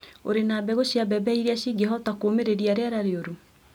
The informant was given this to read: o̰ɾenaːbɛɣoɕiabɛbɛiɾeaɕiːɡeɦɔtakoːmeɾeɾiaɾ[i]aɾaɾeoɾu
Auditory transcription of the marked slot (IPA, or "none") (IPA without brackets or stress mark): e